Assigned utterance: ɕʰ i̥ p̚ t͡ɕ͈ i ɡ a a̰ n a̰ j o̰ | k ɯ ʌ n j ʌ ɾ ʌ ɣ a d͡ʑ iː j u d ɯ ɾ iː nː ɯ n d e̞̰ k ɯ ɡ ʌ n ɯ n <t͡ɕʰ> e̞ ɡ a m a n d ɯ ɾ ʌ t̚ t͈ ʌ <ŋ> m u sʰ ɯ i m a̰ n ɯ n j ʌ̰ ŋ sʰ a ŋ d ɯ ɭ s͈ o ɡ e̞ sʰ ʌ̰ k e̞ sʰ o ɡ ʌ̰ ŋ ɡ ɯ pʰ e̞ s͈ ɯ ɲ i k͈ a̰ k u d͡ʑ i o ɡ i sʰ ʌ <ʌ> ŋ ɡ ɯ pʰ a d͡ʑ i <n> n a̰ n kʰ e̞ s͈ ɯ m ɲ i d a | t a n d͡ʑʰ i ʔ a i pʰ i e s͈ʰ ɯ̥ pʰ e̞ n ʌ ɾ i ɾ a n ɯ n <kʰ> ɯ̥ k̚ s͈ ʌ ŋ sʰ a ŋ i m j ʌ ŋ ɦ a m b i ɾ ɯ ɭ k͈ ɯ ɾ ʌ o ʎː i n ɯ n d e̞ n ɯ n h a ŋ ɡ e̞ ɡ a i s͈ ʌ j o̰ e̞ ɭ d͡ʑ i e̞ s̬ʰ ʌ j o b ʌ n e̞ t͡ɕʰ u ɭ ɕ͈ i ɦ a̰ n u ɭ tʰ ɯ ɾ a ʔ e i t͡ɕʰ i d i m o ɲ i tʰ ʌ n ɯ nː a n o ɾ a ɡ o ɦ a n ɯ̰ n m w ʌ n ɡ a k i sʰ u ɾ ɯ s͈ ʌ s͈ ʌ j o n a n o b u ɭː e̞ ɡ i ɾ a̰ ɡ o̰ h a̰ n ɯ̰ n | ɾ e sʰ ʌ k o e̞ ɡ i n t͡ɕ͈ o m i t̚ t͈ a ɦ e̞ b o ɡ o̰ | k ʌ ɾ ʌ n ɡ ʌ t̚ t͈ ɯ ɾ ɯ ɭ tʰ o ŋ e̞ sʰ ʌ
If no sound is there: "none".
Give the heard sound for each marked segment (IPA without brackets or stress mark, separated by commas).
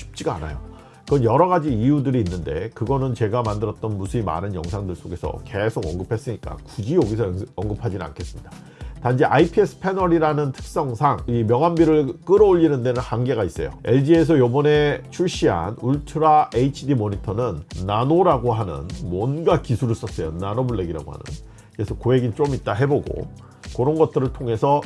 t͡ɕ, n, ʌ, n, tʰ